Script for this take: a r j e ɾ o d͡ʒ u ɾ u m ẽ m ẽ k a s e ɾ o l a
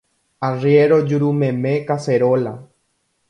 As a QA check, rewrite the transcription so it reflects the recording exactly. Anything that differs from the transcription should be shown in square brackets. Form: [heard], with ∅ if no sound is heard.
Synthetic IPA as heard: a r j e ɾ o d͡ʒ u ɾ u m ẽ m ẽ k a s e ɾ o l a